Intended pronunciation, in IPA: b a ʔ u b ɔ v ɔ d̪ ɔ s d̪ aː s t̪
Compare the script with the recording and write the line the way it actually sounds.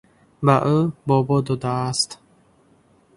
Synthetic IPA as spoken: b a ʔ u b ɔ b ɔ d̪ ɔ d̪ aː s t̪